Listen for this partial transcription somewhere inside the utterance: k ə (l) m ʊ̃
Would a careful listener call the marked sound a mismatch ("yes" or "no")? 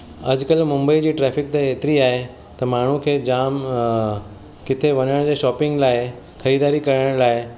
no